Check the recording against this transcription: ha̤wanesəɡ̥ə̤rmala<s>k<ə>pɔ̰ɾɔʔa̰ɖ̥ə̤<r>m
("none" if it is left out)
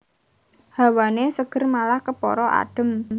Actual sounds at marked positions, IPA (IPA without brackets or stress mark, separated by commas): h, ə, none